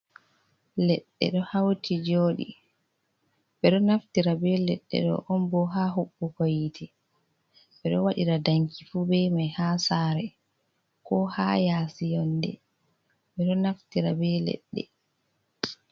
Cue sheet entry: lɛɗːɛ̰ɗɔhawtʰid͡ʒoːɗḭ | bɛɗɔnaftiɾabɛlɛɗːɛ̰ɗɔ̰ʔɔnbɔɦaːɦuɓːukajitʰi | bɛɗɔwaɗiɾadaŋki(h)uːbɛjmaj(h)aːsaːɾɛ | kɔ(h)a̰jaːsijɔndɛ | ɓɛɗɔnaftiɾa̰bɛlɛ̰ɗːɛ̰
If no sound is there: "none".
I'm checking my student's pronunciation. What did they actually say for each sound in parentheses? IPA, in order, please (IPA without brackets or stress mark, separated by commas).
f, h, h